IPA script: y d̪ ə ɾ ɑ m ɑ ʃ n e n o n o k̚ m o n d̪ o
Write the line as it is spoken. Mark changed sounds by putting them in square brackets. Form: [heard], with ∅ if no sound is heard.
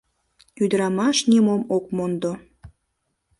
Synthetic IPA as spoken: y d̪ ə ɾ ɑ m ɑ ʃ n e [m] o [m] o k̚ m o n d̪ o